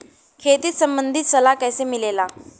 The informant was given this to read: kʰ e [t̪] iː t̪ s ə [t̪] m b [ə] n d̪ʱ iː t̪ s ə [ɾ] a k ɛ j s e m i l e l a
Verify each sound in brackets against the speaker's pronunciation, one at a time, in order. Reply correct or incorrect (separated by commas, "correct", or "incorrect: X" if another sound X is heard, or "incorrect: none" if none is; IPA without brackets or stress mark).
correct, incorrect: none, correct, incorrect: l